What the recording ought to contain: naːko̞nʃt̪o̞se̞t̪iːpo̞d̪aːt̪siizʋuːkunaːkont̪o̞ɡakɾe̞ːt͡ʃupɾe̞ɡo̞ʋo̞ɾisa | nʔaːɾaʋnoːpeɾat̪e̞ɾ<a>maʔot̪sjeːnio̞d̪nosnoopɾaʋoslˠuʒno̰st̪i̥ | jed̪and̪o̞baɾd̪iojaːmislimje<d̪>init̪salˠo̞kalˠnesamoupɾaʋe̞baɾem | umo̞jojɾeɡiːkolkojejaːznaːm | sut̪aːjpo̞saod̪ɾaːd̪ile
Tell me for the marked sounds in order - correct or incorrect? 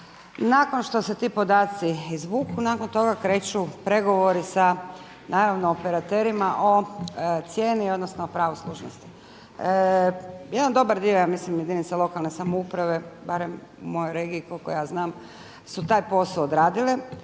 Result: incorrect: i, correct

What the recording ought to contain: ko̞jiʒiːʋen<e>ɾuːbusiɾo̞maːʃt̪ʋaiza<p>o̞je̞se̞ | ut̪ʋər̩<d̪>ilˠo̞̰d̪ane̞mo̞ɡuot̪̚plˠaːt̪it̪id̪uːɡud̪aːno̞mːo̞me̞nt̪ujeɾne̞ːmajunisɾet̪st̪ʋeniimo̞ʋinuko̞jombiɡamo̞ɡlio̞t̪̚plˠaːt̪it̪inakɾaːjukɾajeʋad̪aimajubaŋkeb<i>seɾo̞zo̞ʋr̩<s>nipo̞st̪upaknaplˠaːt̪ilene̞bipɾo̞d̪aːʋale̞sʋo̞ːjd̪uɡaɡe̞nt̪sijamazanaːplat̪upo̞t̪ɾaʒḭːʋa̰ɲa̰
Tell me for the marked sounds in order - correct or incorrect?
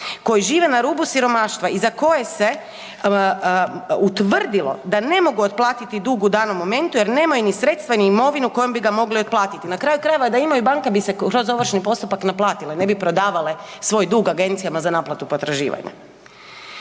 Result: incorrect: a, incorrect: k, correct, correct, incorrect: ʃ

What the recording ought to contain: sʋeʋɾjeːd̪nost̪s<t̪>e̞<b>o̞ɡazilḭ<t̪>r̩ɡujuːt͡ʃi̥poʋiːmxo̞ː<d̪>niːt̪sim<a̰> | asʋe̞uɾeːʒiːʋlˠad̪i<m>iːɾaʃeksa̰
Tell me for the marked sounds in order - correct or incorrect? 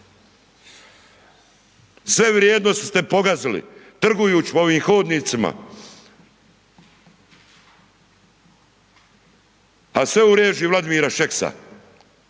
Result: correct, incorrect: p, correct, correct, correct, correct

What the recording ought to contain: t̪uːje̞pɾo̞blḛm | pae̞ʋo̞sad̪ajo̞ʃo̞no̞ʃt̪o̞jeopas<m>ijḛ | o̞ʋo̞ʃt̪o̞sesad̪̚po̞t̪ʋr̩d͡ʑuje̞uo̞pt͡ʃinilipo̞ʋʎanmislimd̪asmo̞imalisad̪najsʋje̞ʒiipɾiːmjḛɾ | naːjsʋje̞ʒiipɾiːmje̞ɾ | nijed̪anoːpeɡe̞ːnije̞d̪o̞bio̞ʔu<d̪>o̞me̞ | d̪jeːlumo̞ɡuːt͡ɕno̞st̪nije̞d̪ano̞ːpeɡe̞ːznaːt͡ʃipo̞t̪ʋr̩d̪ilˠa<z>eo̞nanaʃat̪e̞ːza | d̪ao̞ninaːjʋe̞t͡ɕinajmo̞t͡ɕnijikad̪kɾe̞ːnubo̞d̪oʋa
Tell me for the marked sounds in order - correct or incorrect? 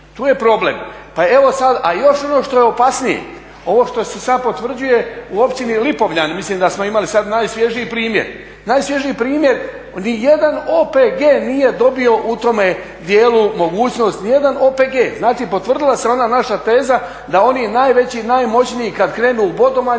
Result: incorrect: n, incorrect: t̪, incorrect: s

